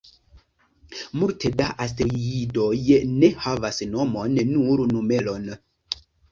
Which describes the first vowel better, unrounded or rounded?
rounded